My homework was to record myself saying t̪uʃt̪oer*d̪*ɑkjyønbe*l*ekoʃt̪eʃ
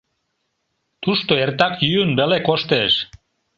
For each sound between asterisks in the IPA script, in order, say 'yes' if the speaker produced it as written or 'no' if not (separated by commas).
no, yes